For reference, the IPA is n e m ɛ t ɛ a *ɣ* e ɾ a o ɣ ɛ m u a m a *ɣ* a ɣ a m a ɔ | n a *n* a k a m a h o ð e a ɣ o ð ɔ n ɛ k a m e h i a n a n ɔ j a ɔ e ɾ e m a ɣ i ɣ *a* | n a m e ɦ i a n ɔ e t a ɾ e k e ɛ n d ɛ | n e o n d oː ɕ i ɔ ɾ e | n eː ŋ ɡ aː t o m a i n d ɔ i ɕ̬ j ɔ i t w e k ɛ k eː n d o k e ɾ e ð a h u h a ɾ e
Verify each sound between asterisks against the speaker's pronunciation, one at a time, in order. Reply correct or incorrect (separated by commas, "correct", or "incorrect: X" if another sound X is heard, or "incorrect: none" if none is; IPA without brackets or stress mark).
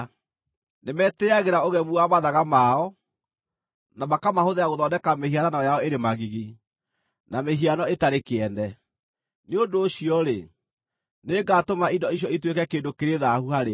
correct, incorrect: ð, incorrect: m, incorrect: i